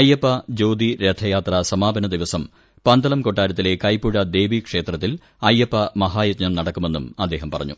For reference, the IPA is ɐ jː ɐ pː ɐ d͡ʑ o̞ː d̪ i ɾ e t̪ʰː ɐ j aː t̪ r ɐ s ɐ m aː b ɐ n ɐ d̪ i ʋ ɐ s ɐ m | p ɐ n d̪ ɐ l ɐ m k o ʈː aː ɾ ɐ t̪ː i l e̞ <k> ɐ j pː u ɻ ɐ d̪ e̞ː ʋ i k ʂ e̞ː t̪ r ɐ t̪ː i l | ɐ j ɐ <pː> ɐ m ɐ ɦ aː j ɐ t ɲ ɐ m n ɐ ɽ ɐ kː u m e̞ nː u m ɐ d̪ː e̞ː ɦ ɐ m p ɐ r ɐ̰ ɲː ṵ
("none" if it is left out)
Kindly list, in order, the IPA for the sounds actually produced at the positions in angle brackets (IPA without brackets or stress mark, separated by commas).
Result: k, pː